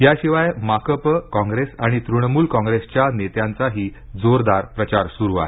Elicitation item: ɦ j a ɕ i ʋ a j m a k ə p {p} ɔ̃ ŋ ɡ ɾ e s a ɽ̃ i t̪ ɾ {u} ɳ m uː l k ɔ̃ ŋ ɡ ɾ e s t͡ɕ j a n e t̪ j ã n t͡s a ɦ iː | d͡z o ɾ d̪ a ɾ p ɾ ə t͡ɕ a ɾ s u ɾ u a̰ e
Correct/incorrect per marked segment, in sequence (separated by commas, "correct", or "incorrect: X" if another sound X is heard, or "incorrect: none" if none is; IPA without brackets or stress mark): incorrect: k, correct